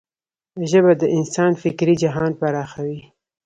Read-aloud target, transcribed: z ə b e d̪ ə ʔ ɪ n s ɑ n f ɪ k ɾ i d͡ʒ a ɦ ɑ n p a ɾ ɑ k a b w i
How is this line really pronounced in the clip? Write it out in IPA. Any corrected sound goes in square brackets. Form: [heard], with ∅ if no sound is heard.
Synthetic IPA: [ʒ] ə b [a] d̪ ə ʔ ɪ n s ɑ n f ɪ k ɾ i d͡ʒ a ɦ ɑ n p a ɾ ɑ [x] a [∅] w i